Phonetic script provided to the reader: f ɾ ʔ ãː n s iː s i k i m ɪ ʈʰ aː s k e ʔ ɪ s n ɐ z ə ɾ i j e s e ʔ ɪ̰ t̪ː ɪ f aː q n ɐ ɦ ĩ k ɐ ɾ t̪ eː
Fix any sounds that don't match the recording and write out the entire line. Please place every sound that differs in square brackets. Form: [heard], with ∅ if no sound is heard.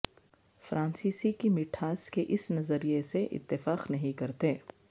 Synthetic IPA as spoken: f ɾ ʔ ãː n s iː s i k i m ɪ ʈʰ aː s k e ʔ ɪ s n ɐ z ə ɾ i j e s e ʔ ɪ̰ t̪ː ɪ f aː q n ɐ ɦ ĩ k ɐ ɾ t̪ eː